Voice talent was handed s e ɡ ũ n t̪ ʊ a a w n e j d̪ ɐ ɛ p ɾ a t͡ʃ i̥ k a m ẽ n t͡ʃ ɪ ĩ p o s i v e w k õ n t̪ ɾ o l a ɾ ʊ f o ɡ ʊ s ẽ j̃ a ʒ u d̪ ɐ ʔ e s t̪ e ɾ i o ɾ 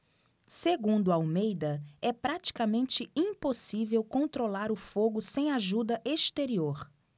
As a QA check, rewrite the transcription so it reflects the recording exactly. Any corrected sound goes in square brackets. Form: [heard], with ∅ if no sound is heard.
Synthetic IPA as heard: s e ɡ ũ n [d̪] ʊ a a w [m] e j d̪ ɐ ɛ p ɾ a t͡ʃ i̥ k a m ẽ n t͡ʃ ɪ ĩ p o s i v e w k õ n t̪ ɾ o l a ɾ ʊ f o ɡ ʊ s ẽ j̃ a ʒ u d̪ ɐ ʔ e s t̪ e ɾ i o ɾ

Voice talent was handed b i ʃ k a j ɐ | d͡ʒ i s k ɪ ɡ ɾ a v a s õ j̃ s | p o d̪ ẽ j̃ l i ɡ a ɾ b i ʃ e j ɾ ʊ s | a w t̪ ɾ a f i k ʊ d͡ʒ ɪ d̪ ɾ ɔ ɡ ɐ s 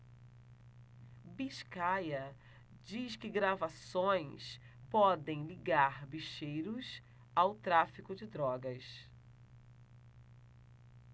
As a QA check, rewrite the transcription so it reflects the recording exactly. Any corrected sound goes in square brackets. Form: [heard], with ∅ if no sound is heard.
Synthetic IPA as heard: b i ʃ k a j ɐ | d͡ʒ i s k ɪ ɡ ɾ a v a s õ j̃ s | p [ɔ] d̪ ẽ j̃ l i ɡ a ɾ b i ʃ e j ɾ ʊ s | a w t̪ ɾ a f i k ʊ d͡ʒ ɪ d̪ ɾ ɔ ɡ ɐ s

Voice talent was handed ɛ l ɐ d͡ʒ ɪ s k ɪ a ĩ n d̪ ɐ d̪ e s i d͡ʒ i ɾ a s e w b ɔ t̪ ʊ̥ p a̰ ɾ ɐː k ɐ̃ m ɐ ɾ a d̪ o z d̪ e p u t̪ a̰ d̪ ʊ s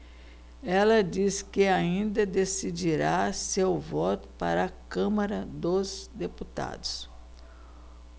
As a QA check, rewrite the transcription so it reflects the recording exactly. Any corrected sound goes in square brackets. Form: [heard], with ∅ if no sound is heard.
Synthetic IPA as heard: ɛ l ɐ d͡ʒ [i] s k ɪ a ĩ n d̪ ɐ d̪ e s i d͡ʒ i ɾ a s e w [v] ɔ t̪ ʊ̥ p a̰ ɾ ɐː k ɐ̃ m ɐ ɾ [ɐ] d̪ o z d̪ e p u t̪ a̰ d̪ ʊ s

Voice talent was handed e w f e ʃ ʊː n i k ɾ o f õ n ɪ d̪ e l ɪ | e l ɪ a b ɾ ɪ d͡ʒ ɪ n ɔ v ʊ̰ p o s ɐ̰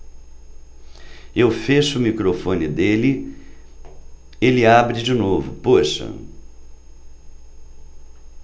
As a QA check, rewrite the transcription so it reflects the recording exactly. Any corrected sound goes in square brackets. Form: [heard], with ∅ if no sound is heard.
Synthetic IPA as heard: e w f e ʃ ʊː [m] i k ɾ o f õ n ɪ d̪ e l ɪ | e l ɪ a b ɾ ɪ d͡ʒ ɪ n [o] v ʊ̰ p o [ʃ] ɐ̰

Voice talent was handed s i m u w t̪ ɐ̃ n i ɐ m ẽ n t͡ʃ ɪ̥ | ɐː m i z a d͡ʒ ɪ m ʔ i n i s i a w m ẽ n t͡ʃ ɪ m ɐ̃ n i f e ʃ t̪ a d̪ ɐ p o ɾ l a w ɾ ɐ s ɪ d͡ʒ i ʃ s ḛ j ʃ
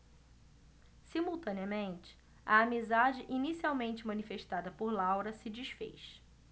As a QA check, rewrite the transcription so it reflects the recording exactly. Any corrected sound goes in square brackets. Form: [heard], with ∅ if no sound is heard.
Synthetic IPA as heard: s i m u w t̪ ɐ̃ n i ɐ m ẽ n t͡ʃ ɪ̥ | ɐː m i z a d͡ʒ ɪ [∅] ʔ i n i s i a w m ẽ n t͡ʃ ɪ m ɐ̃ n i f e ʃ t̪ a d̪ ɐ p o ɾ l a w ɾ ɐ s ɪ d͡ʒ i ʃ [f] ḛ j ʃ

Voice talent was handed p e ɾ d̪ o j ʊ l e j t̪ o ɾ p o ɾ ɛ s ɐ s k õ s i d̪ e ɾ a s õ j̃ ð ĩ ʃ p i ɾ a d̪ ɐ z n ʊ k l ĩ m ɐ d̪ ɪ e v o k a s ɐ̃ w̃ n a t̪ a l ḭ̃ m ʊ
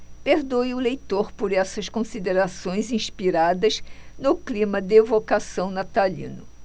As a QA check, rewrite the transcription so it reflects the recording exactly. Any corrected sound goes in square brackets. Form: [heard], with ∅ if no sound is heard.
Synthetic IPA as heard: p e ɾ d̪ o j ʊ l e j t̪ o ɾ p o ɾ ɛ s ɐ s k õ s i d̪ e ɾ a s õ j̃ [z] ĩ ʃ p i ɾ a d̪ ɐ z n ʊ k l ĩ m ɐ d̪ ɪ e v o k a s ɐ̃ w̃ n a t̪ a l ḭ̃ [n] ʊ

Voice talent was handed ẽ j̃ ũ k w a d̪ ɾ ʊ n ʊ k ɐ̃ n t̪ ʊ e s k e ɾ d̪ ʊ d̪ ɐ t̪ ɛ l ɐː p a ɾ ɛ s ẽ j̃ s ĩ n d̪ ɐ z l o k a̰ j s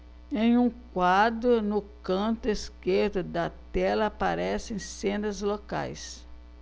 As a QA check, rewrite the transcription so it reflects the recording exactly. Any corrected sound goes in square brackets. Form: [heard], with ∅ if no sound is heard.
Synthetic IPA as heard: ẽ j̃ ũ k w a d̪ ɾ ʊ n ʊ k ɐ̃ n t̪ ʊ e s k e ɾ d̪ ʊ d̪ ɐ t̪ ɛ l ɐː p a ɾ ɛ s ẽ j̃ s [ẽ] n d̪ ɐ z l o k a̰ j s

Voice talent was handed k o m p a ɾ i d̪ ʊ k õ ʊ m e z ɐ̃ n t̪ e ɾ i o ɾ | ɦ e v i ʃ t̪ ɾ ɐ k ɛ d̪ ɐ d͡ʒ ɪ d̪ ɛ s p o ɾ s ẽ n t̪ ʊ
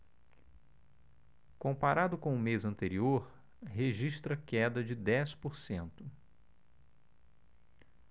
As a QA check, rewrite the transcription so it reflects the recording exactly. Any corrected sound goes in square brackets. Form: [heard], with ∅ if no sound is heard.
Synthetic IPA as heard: k [õ] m p a ɾ [a] d̪ ʊ k õ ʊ m e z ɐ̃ n t̪ e ɾ i o ɾ | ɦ e [ʒ] i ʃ t̪ ɾ ɐ k ɛ d̪ ɐ d͡ʒ ɪ d̪ ɛ s p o ɾ s ẽ n t̪ ʊ

